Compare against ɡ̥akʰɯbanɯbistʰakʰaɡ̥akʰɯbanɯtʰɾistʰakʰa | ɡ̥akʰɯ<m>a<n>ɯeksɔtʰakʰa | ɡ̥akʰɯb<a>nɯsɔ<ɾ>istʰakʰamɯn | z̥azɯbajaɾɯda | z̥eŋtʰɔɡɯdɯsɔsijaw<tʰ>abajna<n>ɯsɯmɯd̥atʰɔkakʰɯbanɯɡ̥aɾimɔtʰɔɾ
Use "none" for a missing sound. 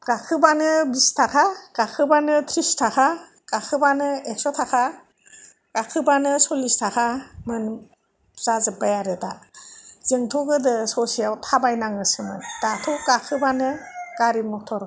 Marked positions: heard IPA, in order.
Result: b, n, a, l, tʰ, ŋ

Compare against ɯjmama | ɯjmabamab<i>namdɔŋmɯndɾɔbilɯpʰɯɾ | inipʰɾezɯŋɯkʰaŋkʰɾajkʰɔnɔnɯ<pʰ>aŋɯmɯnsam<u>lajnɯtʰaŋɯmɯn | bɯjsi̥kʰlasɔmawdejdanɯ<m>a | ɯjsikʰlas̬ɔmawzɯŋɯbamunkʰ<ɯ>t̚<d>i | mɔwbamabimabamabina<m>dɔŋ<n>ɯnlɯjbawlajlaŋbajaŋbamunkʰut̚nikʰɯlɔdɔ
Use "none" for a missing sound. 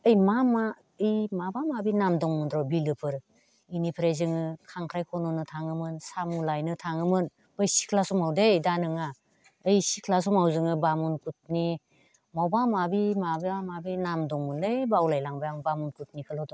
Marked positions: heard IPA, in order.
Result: i, tʰ, u, ŋ, u, n, m, m

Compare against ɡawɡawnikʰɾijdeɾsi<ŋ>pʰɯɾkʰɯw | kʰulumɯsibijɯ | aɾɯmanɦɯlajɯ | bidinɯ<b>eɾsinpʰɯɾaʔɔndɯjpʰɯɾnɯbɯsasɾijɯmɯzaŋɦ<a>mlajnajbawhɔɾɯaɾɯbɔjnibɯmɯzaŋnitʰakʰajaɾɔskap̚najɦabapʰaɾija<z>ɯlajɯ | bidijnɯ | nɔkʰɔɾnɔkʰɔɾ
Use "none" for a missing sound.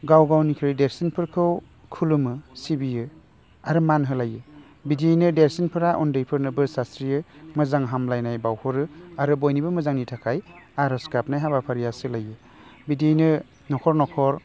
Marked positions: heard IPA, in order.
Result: n, d, a, s

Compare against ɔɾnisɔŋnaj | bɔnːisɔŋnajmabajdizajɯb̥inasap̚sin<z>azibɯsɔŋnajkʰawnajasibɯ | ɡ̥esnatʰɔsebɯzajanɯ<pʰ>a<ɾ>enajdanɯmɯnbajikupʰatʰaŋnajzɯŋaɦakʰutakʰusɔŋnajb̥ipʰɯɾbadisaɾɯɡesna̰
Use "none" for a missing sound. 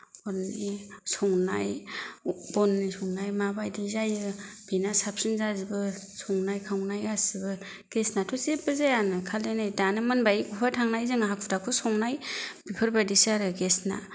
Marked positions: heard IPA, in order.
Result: z, kʰ, l

